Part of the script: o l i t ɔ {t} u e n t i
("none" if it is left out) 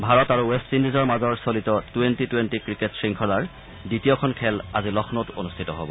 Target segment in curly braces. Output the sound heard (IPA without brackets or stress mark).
t